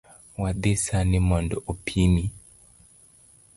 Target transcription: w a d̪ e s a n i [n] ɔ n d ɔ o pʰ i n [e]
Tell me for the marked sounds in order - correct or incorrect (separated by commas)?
incorrect, incorrect